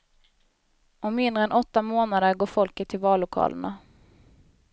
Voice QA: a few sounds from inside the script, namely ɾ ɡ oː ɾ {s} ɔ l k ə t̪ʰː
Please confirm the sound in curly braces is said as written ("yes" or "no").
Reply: no